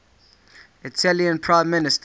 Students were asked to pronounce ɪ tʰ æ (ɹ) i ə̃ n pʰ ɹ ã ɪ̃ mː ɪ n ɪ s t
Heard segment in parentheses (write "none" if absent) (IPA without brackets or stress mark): l